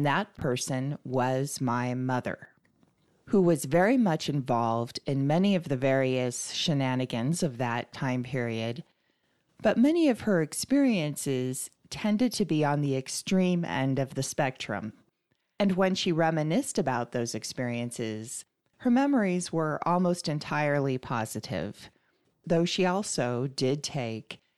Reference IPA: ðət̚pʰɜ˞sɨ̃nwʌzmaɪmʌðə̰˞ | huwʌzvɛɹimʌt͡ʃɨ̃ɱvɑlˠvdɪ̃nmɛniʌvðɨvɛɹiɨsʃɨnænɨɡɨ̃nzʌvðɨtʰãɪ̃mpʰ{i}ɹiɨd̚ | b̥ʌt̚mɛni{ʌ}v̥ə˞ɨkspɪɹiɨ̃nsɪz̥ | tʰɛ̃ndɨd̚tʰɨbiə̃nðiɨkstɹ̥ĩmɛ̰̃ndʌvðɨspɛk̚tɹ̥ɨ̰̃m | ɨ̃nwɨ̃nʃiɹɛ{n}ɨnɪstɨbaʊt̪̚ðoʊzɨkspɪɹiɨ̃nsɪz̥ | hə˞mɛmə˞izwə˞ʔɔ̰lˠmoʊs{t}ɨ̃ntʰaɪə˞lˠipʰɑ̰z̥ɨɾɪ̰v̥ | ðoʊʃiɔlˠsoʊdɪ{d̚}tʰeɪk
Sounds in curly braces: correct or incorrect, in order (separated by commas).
incorrect, correct, incorrect, correct, correct